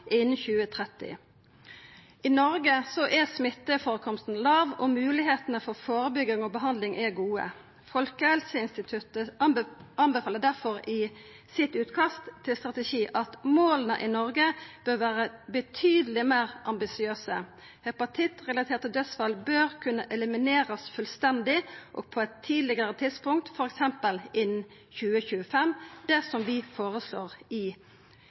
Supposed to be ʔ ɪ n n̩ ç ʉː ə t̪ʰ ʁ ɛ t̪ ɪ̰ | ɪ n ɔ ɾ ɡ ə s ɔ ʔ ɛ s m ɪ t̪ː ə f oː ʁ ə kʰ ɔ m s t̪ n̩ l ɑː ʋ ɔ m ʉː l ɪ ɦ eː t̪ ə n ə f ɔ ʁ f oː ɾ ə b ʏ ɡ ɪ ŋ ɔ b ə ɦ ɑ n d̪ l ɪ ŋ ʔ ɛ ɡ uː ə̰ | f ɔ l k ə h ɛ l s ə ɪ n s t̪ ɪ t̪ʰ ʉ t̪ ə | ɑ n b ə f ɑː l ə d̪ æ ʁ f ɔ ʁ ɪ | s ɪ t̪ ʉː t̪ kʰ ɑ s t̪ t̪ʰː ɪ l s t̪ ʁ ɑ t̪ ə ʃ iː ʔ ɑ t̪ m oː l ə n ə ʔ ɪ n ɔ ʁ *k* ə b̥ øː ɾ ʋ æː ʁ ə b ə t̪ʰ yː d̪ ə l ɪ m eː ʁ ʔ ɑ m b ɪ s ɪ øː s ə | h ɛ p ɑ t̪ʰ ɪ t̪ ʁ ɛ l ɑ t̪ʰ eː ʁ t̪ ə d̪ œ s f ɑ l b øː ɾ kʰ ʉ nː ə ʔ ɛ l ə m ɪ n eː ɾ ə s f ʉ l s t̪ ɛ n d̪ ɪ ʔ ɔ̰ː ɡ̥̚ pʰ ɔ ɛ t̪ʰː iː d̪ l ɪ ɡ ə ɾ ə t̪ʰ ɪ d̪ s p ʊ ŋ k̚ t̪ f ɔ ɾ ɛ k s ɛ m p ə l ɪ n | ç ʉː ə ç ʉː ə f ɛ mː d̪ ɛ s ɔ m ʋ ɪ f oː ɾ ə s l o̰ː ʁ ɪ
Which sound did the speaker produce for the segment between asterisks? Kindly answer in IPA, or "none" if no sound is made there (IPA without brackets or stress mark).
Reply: ɡ